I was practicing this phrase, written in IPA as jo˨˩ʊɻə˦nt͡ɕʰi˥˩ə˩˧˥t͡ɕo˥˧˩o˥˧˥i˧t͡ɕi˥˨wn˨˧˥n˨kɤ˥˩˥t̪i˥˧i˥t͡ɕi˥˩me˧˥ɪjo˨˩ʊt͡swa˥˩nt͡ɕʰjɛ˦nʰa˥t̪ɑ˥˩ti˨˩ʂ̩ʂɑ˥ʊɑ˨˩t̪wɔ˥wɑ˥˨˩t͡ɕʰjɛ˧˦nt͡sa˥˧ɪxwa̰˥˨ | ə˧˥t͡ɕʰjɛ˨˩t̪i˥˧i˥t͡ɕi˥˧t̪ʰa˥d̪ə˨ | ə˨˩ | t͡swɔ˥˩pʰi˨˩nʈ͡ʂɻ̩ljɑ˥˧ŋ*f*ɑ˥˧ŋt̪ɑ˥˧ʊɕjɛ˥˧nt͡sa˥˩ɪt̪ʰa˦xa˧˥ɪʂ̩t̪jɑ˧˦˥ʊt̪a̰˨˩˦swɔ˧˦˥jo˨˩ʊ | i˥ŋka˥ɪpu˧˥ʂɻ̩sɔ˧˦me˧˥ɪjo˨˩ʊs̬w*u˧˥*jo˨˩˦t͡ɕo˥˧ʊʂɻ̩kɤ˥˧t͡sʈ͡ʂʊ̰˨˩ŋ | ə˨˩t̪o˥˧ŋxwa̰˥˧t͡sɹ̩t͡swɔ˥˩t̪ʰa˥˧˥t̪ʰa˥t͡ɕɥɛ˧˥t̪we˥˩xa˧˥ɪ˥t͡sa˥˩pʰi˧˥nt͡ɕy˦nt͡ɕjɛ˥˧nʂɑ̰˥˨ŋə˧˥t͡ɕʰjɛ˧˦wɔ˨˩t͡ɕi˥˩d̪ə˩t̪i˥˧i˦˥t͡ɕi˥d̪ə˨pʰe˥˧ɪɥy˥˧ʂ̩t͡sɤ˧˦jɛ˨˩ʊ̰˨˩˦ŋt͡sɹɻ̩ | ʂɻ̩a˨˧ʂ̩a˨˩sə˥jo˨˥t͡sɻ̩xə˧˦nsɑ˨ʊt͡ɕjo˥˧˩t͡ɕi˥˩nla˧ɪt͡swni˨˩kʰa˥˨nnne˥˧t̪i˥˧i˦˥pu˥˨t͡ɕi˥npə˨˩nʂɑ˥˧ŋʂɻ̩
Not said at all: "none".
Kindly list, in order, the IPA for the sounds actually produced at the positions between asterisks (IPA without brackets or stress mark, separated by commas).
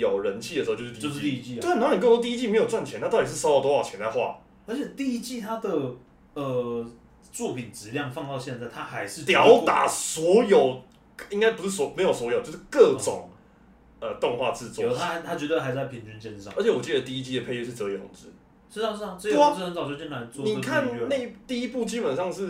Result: f, ɔ˧˥